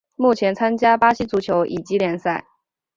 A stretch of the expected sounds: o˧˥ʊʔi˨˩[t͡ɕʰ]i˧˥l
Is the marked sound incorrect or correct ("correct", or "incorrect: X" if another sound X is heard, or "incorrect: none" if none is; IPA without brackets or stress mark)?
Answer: incorrect: t͡ɕ